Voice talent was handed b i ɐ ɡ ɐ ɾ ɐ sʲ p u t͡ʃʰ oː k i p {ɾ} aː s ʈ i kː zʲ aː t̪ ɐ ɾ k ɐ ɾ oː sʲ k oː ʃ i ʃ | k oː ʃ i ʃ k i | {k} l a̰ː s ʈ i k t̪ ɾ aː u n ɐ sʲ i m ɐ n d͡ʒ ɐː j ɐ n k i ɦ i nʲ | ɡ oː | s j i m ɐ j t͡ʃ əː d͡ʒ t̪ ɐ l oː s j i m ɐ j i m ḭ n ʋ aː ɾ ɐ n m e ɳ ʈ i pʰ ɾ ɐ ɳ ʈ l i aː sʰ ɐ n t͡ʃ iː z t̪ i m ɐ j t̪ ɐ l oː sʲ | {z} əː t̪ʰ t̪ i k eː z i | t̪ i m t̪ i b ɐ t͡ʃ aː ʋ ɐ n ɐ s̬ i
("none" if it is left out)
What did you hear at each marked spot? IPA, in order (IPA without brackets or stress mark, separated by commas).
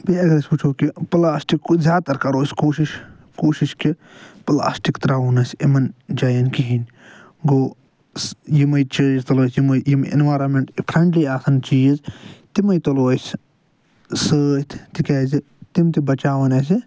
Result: l, p, s